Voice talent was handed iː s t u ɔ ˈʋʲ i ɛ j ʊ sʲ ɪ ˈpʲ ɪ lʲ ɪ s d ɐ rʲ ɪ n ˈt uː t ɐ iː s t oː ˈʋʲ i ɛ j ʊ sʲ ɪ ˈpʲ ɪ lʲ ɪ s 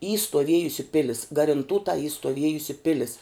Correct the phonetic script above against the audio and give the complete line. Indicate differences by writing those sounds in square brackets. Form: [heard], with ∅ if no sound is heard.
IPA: iː s t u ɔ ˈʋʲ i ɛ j ʊ sʲ ɪ ˈpʲ ɪ lʲ ɪ s [ɡ] ɐ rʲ ɪ n ˈt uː t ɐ iː s t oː ˈʋʲ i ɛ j ʊ sʲ ɪ ˈpʲ ɪ lʲ ɪ s